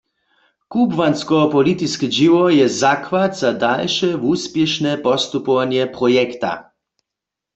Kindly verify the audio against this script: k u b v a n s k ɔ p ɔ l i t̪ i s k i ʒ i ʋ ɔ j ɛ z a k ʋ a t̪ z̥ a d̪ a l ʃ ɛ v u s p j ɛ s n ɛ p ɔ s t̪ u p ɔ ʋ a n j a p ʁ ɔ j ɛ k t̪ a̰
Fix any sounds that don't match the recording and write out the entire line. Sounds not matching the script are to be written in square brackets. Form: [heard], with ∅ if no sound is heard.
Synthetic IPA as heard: k u b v a n s k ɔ p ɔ l i t̪ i s k i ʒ i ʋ ɔ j ɛ z a k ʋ a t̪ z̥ a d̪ a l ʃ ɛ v u s p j ɛ [ʃ] n ɛ p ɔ s t̪ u p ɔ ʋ a n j [ɛ] p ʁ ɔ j ɛ k t̪ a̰